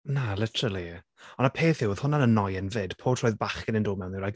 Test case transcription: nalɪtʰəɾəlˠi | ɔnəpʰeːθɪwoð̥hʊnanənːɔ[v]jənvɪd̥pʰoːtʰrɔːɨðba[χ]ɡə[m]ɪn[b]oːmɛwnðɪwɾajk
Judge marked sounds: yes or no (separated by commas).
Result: no, yes, no, no